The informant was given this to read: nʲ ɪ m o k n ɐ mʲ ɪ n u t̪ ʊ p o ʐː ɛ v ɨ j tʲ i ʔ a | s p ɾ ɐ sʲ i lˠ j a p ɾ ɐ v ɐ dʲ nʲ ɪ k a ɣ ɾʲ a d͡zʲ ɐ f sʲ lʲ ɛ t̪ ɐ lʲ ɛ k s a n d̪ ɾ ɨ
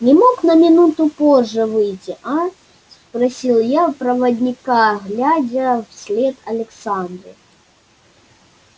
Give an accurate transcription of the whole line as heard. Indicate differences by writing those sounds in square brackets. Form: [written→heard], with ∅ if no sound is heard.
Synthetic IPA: nʲ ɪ m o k n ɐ mʲ ɪ n u t̪ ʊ p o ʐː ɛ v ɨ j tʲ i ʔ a | s p ɾ ɐ sʲ i lˠ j a p ɾ ɐ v ɐ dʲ nʲ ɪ k a ɣ [ɾʲ→lʲ] a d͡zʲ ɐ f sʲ lʲ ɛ t̪ ɐ lʲ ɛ k s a n d̪ ɾ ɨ